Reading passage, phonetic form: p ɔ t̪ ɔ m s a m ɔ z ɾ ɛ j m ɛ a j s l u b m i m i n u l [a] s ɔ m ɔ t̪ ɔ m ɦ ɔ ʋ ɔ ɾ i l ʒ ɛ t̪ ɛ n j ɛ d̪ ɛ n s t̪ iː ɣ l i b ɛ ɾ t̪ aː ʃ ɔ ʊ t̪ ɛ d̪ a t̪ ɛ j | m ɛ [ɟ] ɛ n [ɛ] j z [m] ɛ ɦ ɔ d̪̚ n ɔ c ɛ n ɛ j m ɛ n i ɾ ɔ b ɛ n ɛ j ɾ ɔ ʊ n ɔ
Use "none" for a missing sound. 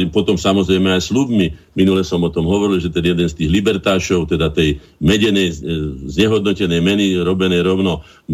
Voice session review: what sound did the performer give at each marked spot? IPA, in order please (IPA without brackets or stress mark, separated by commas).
ɛ, ɟ, ɛ, ɲ